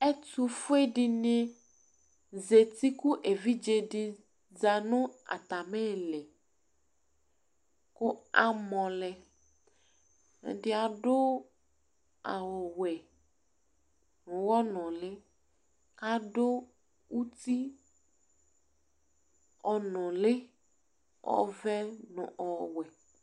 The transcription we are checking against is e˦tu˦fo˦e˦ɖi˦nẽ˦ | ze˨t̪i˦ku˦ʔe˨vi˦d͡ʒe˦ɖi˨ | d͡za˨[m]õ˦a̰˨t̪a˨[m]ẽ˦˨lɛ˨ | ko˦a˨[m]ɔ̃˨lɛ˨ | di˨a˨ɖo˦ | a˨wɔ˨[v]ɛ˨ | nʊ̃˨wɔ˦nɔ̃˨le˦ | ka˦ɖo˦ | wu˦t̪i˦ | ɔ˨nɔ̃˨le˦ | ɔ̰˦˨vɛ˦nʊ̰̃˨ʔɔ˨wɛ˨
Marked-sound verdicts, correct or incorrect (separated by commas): incorrect, correct, correct, incorrect